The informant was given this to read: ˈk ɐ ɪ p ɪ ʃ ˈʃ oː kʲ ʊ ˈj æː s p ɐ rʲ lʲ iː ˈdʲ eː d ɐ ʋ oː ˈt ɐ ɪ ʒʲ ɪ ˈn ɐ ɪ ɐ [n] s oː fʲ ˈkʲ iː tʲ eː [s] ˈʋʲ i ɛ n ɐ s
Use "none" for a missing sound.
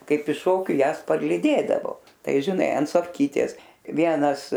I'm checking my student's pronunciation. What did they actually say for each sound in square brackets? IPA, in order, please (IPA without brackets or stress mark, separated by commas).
n, s